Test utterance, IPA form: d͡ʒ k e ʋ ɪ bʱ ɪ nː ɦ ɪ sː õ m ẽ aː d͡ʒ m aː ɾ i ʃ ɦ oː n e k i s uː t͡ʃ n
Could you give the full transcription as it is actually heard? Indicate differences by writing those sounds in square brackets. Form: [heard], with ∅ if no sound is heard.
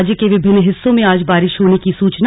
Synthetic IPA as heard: d͡ʒ k e ʋ ɪ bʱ ɪ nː ɦ ɪ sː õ m ẽ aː d͡ʒ [b] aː ɾ [ɪ] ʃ ɦ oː n e k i s uː t͡ʃ n